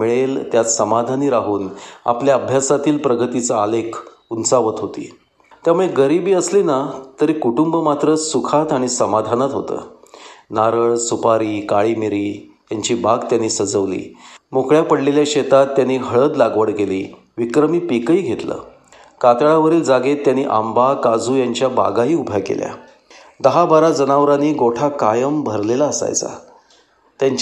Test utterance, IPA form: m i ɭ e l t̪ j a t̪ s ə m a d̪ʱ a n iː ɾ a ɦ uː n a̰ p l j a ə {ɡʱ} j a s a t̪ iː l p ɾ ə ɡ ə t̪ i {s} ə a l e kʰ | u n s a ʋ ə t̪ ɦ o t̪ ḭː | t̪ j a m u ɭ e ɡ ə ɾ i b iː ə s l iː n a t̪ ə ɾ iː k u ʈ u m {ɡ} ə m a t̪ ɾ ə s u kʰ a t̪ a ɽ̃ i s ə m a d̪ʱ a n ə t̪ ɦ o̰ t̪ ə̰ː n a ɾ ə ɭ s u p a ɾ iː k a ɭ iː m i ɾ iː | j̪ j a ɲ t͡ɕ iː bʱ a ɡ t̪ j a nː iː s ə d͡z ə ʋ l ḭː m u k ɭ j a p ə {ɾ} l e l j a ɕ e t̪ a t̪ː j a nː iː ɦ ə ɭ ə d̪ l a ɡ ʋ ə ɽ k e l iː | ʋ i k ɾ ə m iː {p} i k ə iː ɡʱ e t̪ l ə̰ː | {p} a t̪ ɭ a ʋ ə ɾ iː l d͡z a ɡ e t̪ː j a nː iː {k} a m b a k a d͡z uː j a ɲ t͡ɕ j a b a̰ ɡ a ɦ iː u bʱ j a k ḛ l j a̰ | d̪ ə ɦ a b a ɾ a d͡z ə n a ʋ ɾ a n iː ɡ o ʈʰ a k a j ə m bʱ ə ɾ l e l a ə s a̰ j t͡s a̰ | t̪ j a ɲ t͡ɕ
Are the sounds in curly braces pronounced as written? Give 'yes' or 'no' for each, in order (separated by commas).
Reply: no, no, no, no, yes, no, no